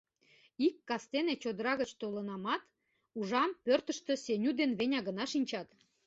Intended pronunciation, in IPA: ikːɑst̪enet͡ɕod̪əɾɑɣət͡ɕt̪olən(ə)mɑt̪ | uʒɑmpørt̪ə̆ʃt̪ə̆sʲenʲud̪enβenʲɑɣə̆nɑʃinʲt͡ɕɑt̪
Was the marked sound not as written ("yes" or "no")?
yes